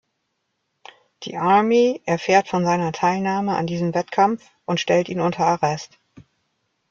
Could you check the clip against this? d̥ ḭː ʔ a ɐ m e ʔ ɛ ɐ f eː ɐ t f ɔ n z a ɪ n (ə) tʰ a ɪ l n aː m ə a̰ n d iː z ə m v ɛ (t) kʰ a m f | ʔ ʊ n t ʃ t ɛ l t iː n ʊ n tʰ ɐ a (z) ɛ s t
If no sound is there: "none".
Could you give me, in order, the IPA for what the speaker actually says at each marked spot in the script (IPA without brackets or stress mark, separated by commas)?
ɐ, t, ʁ